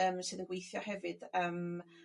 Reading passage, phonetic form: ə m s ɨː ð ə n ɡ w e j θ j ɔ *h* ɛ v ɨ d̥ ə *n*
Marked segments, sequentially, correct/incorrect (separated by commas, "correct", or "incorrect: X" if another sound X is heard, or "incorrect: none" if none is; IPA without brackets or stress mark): correct, incorrect: m